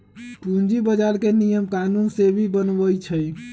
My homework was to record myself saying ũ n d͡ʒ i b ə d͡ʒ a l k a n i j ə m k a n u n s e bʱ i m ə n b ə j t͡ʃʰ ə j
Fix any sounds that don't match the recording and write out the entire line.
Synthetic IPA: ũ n d͡ʒ i b ə d͡ʒ a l k e n i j ə m k a n u n s e bʱ i b ə n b ə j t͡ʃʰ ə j